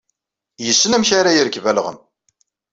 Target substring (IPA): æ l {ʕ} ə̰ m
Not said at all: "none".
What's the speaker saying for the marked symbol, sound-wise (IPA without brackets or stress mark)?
ʁ